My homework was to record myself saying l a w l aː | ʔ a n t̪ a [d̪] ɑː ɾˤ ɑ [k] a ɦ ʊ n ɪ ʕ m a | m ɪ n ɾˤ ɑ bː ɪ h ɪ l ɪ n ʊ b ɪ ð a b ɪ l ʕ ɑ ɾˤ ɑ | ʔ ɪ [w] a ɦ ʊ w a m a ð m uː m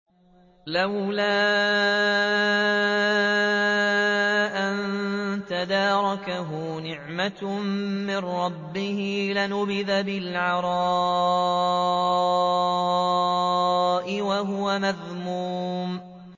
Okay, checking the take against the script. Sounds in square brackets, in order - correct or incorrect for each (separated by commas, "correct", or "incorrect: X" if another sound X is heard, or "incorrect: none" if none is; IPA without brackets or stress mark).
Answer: correct, correct, correct